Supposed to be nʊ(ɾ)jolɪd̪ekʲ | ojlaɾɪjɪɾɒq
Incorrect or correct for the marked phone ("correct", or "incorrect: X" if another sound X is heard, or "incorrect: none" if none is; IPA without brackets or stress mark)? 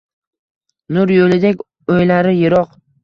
correct